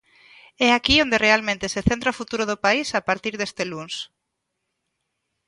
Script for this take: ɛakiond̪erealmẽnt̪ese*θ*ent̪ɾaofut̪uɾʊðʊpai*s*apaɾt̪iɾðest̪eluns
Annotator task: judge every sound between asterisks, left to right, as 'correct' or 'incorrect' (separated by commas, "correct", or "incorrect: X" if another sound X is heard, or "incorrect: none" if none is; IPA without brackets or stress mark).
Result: correct, correct